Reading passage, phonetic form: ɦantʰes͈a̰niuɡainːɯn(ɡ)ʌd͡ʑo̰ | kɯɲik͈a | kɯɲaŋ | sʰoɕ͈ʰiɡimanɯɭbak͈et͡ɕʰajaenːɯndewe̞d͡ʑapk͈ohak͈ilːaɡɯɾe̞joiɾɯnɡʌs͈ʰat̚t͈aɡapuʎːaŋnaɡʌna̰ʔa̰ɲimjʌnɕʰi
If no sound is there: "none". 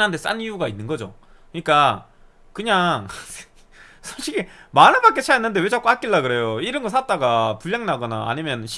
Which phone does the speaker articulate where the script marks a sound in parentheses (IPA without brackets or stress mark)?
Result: ɡ